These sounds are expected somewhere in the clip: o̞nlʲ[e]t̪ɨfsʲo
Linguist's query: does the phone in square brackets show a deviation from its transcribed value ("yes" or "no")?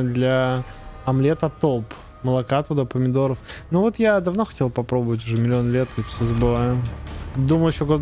no